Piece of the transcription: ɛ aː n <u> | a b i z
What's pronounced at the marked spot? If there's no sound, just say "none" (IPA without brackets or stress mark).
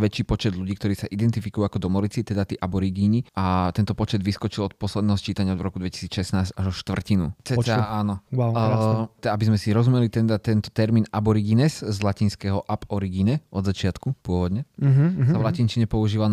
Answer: ɔ